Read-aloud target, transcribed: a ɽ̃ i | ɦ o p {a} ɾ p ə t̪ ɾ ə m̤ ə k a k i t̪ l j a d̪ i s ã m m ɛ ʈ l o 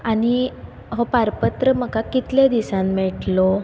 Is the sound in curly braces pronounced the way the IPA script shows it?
yes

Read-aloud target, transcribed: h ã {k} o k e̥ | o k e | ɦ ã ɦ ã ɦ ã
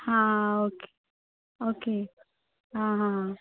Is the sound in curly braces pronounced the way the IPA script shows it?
no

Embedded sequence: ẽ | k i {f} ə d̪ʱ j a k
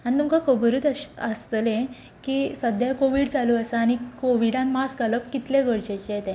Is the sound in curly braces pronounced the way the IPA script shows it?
no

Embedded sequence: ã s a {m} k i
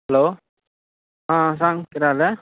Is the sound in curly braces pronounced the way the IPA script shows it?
no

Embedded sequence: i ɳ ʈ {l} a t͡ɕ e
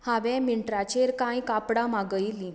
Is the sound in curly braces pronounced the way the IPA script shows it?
no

